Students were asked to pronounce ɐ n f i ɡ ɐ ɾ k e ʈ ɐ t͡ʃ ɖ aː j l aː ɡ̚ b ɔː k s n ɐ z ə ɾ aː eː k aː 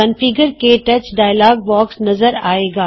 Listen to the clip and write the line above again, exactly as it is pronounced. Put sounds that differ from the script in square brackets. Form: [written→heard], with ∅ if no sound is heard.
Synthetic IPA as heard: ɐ n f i ɡ [ɐ→ə] ɾ k e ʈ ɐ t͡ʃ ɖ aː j l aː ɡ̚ b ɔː k s n ɐ z ə ɾ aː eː [k→ɡ] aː